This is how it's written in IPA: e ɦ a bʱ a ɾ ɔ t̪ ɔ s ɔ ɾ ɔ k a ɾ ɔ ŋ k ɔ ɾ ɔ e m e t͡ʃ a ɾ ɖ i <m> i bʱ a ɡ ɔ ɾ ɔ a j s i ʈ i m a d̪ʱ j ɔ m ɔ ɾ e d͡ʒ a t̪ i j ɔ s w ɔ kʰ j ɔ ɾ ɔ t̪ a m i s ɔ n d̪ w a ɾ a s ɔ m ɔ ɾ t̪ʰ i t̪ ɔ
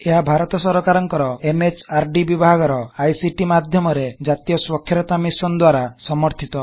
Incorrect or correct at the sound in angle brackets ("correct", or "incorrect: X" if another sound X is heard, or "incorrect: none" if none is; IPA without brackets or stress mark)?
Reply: incorrect: b